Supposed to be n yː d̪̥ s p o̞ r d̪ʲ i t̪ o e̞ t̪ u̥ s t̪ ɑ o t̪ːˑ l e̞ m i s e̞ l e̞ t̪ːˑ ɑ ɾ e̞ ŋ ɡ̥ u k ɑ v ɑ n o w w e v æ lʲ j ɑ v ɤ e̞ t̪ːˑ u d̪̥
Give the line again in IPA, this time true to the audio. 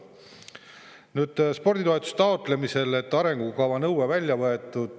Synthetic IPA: n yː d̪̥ s p o̞ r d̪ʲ i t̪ o e̞ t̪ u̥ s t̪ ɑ o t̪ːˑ l e̞ m i s e̞ l e̞ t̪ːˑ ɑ ɾ e̞ ŋ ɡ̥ u k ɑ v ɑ n ɤ w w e v æ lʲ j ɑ v ɤ e̞ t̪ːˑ u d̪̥